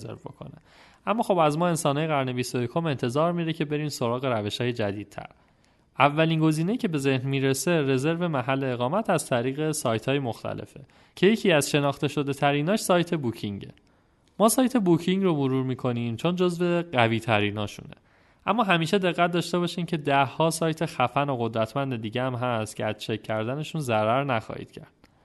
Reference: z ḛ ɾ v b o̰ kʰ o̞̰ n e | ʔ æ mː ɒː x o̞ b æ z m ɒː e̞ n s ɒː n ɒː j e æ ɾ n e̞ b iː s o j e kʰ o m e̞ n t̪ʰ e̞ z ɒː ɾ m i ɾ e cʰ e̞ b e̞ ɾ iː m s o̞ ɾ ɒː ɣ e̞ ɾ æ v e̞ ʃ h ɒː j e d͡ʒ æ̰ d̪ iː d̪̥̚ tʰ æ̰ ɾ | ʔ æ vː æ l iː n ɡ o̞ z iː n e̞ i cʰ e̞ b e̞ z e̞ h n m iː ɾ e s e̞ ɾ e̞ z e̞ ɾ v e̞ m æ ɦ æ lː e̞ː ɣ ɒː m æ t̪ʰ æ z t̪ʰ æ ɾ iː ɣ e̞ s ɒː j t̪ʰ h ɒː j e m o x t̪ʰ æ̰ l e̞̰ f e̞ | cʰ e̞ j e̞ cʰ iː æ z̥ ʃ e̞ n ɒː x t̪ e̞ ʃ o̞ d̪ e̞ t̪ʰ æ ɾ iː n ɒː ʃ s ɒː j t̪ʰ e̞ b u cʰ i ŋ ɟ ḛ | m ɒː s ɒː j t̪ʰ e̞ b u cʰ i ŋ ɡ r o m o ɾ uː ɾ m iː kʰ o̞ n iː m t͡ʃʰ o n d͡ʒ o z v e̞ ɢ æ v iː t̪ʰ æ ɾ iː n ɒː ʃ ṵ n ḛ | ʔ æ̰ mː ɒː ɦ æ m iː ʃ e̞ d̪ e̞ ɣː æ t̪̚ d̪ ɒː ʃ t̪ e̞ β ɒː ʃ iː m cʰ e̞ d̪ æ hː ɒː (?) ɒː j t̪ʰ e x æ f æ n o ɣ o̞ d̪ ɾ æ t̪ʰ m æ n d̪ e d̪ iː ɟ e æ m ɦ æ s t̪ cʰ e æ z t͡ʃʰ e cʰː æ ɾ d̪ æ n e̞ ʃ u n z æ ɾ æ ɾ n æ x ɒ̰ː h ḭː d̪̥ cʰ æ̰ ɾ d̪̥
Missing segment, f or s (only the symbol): s